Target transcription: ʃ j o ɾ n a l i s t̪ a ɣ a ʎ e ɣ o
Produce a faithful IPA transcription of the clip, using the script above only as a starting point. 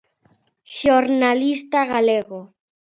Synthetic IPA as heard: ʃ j o ɾ n a l i s t̪ a ɣ a l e ɣ o

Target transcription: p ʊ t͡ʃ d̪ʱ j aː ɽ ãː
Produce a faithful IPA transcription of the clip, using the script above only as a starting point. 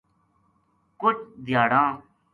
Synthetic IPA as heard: k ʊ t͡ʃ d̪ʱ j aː ɽ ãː

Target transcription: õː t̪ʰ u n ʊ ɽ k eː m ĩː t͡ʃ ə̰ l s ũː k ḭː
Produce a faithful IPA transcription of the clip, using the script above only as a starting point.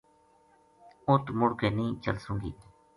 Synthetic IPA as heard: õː t̪ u m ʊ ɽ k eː n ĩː t͡ʃ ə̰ l s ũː ɡ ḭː

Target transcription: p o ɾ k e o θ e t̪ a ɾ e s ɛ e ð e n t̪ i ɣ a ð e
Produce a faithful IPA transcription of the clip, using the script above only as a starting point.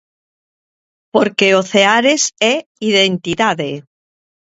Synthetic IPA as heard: p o ɾ k e o θ e a ɾ e s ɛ i ð e n t̪ i ð a ð e

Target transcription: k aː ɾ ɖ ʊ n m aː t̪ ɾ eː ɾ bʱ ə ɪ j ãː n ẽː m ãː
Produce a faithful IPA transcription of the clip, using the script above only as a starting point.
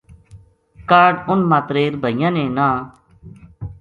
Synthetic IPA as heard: k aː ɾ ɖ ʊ n m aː t̪ ɾ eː ɾ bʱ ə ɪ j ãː n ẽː n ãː

